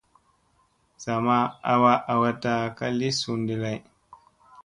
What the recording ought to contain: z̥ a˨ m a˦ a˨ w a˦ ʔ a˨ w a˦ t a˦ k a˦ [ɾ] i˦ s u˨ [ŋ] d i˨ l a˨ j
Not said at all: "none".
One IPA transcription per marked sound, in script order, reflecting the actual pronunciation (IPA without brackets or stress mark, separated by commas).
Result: l, n